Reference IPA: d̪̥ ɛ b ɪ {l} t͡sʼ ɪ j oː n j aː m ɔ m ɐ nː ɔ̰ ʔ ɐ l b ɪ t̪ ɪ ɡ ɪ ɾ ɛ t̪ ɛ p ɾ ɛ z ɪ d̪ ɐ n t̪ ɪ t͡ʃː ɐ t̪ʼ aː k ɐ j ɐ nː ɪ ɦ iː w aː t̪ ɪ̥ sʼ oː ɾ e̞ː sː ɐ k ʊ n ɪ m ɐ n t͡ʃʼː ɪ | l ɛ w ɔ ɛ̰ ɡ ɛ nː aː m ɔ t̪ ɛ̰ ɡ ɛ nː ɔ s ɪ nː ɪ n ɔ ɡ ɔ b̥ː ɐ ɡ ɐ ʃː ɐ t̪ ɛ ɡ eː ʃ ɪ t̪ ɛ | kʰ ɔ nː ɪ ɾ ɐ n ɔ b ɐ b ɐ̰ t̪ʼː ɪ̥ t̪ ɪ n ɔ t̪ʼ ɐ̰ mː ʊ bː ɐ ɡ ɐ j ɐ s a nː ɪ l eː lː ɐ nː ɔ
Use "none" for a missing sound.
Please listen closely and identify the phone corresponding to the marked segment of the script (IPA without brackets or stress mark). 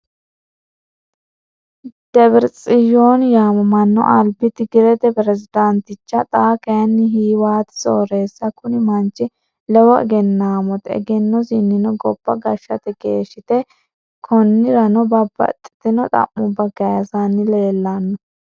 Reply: ɾ